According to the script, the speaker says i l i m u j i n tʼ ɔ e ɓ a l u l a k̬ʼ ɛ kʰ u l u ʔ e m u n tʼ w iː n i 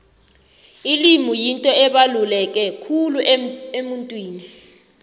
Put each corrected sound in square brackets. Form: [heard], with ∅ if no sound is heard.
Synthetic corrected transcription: i l i m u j i n tʼ ɔ [ɛ] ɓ a l u l [ɛ] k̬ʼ ɛ kʰ u l u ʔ e m u n tʼ w iː n i